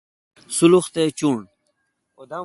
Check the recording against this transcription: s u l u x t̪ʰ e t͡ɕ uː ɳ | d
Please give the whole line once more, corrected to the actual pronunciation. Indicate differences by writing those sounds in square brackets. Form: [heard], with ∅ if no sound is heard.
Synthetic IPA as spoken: s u l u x [t̪] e t͡ɕ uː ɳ | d